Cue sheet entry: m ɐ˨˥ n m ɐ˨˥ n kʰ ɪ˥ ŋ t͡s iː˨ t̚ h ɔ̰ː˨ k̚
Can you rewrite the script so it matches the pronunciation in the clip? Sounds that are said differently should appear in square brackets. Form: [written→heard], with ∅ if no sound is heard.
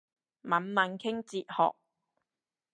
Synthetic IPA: m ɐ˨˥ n m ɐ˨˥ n kʰ ɪ˥ ŋ t͡s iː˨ t̚ h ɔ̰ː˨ k̚